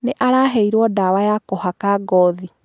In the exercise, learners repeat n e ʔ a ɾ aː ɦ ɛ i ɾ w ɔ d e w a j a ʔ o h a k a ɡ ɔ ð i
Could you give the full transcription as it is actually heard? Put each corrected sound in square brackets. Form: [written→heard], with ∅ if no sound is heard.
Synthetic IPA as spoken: n e ʔ a ɾ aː ɦ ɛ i ɾ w ɔ d [e→a] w a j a [ʔ→k] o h a k a ɡ ɔ ð i